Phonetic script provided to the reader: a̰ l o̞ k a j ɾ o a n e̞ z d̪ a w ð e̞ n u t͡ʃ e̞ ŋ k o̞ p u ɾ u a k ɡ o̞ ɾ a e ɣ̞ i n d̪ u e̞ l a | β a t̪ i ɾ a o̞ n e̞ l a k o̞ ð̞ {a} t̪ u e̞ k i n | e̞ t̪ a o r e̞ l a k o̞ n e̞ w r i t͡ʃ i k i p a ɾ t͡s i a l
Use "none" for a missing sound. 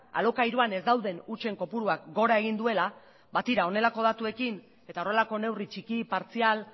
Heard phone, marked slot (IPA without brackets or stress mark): a